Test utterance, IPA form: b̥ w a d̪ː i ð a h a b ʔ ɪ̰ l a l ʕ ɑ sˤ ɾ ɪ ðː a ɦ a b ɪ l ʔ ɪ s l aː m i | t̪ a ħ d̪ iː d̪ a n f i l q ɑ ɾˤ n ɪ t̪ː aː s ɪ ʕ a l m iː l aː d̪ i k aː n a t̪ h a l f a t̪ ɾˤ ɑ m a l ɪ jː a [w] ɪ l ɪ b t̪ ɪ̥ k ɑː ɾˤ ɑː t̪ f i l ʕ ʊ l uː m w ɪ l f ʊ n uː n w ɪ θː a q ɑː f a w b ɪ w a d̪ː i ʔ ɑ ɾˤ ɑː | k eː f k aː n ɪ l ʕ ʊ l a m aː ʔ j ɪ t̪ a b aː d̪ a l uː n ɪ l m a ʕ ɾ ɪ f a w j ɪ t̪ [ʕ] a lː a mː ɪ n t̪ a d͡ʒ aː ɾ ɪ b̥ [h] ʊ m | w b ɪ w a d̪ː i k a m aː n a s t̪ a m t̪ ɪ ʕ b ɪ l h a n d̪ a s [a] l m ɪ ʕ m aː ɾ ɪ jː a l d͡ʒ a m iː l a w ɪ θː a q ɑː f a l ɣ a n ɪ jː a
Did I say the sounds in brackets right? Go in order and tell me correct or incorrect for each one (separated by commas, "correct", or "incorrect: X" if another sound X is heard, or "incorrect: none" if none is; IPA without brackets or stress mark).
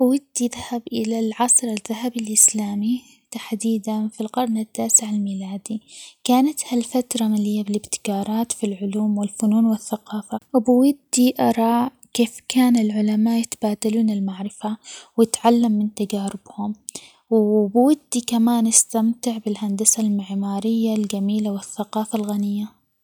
incorrect: b, correct, correct, correct